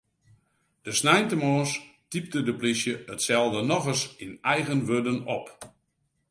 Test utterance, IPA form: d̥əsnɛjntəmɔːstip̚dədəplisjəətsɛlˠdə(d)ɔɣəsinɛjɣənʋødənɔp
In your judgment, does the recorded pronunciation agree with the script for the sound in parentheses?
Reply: no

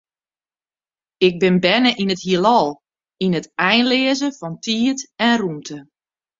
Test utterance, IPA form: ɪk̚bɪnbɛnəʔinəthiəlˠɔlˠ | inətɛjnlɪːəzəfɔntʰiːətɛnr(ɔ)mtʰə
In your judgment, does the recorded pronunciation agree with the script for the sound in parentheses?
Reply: no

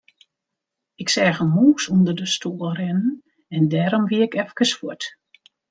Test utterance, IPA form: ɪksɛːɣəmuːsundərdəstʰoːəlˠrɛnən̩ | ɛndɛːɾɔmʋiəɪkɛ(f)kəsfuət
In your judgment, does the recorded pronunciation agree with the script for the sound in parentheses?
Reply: yes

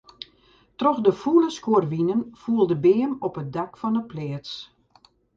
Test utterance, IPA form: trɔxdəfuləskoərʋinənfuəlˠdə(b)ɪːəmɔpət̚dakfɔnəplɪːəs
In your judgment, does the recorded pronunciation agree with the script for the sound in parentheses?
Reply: yes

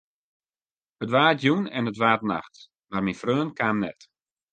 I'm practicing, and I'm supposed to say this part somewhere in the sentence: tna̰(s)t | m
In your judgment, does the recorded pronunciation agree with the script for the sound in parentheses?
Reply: no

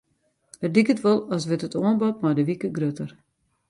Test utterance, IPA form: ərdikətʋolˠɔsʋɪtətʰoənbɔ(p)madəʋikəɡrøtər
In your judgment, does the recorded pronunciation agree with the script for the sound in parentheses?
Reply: no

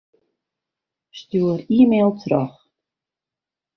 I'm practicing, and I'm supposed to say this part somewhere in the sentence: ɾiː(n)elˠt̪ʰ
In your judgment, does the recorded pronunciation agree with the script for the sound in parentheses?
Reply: no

